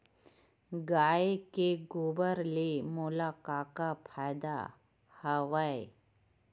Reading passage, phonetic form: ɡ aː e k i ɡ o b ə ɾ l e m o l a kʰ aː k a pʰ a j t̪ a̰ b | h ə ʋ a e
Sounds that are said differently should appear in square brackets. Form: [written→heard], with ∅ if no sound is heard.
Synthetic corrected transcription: ɡ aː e k [i→e] ɡ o b ə ɾ l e m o l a [kʰ→k] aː k a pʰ a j [t̪→d̪] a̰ [b→∅] | h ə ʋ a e